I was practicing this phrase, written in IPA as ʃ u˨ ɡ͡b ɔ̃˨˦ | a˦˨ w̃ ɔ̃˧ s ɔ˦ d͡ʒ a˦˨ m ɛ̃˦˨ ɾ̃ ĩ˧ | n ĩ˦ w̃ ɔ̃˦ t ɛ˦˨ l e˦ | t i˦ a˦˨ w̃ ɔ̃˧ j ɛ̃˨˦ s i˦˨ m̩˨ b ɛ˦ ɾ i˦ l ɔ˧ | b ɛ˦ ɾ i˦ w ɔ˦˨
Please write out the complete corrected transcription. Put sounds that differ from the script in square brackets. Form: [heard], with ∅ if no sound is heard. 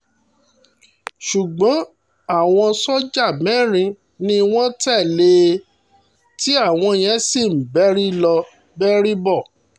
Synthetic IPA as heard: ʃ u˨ ɡ͡b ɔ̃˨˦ | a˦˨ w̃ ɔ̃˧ s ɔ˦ d͡ʒ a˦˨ m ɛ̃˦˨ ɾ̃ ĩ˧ | n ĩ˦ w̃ ɔ̃˦ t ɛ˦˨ l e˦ | t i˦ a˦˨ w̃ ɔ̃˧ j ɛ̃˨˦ s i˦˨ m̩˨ b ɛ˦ ɾ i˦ l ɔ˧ | b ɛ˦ ɾ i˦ [b] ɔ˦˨